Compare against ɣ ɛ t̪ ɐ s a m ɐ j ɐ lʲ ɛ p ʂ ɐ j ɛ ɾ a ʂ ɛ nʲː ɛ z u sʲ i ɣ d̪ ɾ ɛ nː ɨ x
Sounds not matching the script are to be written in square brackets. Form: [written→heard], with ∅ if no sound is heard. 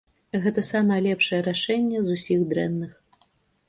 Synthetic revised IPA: ɣ ɛ t̪ ɐ s a m ɐ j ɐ lʲ ɛ p ʂ ɐ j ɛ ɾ a ʂ ɛ nʲː ɛ z u sʲ i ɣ d̪ ɾ ɛ nː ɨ x